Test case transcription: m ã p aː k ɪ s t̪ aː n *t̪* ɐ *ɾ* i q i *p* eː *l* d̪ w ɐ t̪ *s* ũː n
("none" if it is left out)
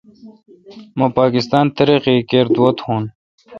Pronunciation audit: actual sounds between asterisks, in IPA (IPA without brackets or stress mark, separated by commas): t̪, ɾ, k, ɾ, h